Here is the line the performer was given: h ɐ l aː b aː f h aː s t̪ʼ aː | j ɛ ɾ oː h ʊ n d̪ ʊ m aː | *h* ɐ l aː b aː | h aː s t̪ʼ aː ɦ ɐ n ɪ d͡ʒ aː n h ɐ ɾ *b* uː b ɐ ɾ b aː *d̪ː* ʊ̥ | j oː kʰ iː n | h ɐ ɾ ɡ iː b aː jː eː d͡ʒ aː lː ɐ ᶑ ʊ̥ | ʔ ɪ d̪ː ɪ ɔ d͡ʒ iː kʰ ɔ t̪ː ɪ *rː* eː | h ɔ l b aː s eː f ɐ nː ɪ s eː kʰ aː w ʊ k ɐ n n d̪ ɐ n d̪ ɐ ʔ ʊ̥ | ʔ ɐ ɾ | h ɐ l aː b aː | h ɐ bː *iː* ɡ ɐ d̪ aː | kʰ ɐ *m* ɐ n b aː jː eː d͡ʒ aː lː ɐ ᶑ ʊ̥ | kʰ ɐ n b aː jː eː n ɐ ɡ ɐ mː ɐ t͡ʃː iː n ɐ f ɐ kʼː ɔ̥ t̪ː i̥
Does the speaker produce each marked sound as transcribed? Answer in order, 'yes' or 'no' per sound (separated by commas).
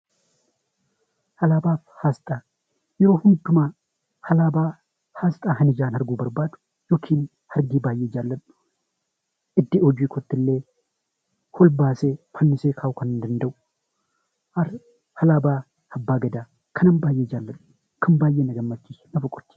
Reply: yes, no, no, no, no, no